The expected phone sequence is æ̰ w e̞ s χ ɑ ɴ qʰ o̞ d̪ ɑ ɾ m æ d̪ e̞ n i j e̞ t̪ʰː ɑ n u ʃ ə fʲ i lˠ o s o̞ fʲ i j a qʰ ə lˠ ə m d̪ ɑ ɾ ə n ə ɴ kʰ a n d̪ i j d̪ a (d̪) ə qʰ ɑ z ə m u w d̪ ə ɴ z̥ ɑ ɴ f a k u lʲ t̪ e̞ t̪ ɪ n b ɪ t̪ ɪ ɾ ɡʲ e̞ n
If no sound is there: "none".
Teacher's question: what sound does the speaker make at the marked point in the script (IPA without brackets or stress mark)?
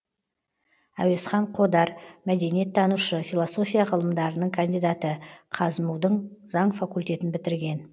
t̪